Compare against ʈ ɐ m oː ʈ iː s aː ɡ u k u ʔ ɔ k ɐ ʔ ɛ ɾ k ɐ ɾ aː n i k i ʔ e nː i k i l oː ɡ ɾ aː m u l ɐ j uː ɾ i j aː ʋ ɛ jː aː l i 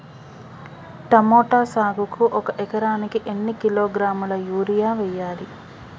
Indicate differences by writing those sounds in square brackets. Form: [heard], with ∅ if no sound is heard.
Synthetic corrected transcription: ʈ ɐ m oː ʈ [aː] s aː ɡ u k u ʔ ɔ k ɐ ʔ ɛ [∅] k ɐ ɾ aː n i k i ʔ e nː i k i l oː ɡ ɾ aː m u l ɐ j uː ɾ i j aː ʋ ɛ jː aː l i